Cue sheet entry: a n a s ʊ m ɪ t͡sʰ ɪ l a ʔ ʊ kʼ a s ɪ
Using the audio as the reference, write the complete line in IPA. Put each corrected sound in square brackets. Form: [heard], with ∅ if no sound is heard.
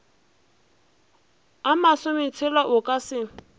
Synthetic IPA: a [m] a s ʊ m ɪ t͡sʰ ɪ l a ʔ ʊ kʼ a s ɪ